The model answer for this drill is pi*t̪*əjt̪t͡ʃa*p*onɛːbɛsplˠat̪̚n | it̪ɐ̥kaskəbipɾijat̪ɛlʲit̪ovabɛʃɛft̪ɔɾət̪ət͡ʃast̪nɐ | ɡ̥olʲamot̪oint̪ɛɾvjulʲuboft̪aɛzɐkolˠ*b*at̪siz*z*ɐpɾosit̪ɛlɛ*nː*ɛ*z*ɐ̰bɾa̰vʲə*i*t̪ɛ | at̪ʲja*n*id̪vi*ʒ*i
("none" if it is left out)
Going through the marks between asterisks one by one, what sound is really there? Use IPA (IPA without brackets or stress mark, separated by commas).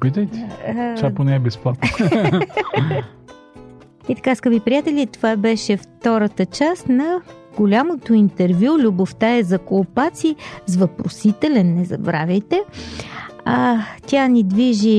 t̪, p, p, v, nː, z, j, n, ʒ